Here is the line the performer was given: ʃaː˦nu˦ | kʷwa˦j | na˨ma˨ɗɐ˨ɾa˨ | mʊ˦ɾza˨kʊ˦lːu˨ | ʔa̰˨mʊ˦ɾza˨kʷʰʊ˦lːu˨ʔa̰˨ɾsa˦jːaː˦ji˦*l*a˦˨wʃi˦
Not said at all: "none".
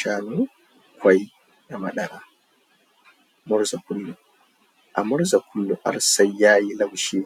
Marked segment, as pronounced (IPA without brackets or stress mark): l